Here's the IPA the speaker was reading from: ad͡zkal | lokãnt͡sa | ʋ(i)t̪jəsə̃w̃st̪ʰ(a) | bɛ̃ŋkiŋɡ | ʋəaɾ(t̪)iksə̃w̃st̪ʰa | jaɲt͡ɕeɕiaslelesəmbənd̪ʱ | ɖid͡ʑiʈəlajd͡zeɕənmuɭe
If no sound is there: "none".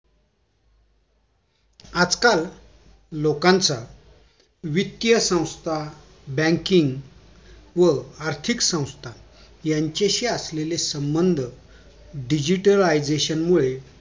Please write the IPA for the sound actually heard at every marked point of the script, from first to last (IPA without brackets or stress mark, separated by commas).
i, a, t̪ʰ